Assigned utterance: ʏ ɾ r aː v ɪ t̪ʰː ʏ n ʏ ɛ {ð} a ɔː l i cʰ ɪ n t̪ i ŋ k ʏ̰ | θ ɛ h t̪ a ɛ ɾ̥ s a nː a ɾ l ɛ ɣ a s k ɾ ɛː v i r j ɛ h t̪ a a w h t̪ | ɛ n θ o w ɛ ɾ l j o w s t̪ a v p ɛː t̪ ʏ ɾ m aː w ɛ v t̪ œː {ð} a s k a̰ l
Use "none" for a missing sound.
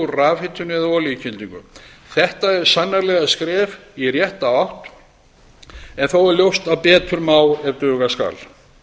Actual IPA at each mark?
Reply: ð, ɣ

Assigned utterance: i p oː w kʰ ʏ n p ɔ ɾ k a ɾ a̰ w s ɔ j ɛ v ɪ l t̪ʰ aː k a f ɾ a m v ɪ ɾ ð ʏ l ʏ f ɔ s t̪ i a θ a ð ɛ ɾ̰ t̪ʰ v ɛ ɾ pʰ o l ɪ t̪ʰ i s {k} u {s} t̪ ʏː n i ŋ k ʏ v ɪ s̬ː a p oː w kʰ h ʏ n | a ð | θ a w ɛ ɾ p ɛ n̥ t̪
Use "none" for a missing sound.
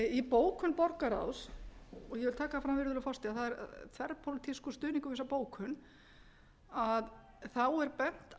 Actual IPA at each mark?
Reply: k, s

